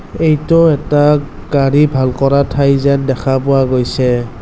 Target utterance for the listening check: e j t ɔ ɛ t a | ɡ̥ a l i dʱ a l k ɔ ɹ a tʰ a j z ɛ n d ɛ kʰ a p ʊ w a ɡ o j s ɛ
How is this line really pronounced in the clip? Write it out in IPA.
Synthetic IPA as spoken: e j t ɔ ɛ t a | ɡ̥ a ɹ i bʱ a l k ɔ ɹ a tʰ a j z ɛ n d ɛ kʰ a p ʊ w a ɡ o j s ɛ